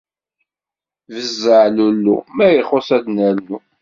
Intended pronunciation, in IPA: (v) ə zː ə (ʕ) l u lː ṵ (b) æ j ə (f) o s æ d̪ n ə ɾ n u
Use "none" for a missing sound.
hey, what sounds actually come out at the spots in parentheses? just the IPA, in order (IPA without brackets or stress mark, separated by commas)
v, ʕ, m, χ